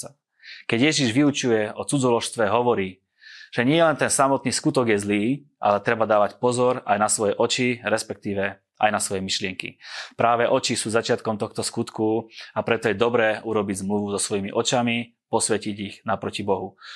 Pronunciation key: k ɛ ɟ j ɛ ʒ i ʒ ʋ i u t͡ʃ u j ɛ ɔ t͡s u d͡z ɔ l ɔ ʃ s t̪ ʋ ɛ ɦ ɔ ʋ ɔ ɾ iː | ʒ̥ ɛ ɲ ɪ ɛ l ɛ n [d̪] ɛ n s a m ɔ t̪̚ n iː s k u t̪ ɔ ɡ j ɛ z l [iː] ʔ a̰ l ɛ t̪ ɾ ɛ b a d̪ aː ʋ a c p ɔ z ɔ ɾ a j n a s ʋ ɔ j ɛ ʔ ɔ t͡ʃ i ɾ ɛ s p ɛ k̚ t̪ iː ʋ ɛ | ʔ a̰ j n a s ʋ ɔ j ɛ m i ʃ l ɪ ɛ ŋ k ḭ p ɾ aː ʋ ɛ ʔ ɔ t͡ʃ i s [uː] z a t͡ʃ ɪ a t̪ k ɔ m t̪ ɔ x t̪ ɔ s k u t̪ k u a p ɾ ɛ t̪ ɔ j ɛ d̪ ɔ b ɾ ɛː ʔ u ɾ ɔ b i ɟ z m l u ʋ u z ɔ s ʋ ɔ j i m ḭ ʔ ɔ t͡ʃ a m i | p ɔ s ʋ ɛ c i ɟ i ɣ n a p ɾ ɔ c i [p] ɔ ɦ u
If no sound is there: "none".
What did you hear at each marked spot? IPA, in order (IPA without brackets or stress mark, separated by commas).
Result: t̪, iː, uː, b